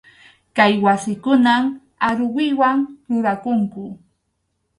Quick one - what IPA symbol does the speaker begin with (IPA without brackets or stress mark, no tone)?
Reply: k